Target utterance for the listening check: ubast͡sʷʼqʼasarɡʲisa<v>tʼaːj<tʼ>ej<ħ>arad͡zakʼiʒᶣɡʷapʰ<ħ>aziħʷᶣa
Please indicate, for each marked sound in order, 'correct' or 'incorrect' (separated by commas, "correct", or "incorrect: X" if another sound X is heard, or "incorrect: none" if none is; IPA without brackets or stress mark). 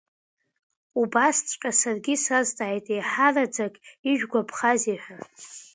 incorrect: z, correct, correct, incorrect: χ